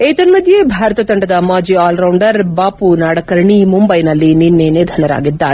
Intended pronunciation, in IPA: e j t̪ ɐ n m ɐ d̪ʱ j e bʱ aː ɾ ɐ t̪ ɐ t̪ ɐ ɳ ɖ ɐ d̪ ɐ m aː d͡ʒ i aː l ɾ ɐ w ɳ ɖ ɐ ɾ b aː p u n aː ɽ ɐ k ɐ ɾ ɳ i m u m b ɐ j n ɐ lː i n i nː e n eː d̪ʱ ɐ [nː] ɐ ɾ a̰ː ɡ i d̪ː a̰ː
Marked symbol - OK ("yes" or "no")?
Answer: no